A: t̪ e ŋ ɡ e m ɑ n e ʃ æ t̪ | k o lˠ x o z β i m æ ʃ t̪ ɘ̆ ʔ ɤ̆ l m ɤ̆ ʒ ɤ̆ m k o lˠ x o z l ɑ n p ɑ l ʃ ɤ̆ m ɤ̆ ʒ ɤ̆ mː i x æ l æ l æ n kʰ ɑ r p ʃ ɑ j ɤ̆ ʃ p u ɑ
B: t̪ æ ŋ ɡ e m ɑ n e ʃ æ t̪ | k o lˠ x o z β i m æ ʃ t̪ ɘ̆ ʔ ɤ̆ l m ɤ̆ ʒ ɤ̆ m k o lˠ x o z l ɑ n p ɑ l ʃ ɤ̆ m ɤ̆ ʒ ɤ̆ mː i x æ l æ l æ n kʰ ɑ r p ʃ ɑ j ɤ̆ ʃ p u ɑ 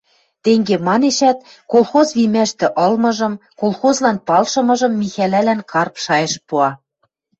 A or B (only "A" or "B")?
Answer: A